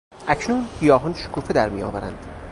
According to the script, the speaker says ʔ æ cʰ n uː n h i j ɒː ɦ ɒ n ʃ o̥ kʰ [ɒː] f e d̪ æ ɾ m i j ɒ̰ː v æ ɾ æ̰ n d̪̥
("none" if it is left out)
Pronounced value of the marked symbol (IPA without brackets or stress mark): uː